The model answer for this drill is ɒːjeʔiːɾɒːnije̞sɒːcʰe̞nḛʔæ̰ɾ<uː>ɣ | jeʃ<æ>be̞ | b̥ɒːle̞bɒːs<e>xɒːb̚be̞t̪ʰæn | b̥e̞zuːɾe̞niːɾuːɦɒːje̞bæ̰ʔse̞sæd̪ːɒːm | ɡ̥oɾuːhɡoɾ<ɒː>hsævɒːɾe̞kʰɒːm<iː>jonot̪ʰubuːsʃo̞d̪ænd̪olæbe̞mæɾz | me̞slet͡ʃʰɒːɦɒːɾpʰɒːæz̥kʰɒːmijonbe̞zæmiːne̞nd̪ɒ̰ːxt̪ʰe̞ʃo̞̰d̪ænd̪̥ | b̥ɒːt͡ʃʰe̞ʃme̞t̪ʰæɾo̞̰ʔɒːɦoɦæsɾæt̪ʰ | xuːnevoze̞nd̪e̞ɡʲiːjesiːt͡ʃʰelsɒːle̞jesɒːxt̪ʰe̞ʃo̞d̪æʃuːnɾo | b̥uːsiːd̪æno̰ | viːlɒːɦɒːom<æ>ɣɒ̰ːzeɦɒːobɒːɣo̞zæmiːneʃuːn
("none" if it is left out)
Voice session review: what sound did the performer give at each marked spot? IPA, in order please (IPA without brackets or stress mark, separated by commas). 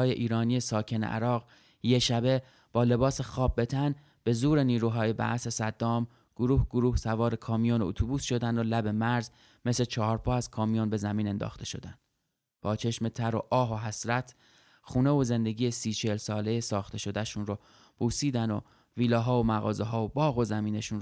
ɒː, æ, e, uː, i, æ